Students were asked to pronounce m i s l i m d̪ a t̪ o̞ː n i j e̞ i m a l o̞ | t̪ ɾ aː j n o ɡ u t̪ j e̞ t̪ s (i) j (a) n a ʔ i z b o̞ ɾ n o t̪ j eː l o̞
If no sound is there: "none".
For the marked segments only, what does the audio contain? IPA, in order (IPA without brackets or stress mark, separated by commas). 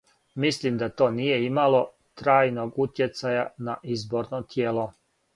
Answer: a, a